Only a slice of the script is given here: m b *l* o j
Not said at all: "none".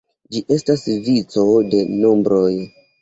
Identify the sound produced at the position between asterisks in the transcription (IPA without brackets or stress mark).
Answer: ɾ